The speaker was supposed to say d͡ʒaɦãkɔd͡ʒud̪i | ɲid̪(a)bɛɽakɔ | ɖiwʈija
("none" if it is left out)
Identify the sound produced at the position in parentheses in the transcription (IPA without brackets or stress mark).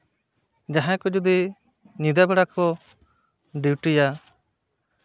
a